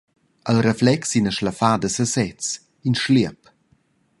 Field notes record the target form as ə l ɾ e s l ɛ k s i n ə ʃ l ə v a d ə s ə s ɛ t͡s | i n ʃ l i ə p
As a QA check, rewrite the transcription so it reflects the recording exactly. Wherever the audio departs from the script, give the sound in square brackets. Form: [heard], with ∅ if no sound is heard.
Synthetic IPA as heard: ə l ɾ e [f] l ɛ k s i n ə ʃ l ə [f] a d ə s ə s ɛ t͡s | i n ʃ l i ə p